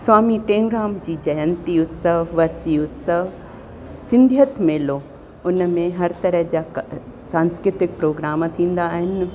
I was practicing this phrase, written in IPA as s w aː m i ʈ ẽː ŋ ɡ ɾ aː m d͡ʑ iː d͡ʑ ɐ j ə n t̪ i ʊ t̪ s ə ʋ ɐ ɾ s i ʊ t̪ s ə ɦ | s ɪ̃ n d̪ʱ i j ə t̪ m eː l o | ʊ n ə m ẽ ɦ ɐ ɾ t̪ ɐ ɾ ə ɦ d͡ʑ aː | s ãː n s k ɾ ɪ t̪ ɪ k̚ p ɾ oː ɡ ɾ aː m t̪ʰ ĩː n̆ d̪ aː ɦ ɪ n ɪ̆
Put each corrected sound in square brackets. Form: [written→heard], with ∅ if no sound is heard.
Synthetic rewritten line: s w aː m i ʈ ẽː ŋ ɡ ɾ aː m d͡ʑ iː d͡ʑ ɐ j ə n t̪ i ʊ t̪ s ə ʋ ɐ ɾ s i ʊ t̪ s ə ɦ | s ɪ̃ n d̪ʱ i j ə t̪ m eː l o | ʊ n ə m ẽ ɦ ɐ ɾ t̪ ɐ ɾ ə ɦ d͡ʑ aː | s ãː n s k ɾ ɪ t̪ ɪ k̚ p ɾ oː ɡ ɾ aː m t̪ʰ ĩː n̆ d̪ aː ɦ ɪ n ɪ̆